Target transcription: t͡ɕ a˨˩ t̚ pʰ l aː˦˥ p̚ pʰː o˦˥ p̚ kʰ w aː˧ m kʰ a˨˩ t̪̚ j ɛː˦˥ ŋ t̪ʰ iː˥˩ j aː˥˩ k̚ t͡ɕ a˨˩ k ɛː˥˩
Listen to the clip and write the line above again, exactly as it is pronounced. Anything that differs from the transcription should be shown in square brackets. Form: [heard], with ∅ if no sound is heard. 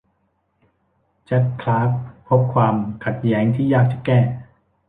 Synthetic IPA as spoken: t͡ɕ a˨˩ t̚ [kʰ] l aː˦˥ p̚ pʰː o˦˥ p̚ kʰ w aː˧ m kʰ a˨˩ t̪̚ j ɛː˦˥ ŋ t̪ʰ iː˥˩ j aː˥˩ k̚ t͡ɕ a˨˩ k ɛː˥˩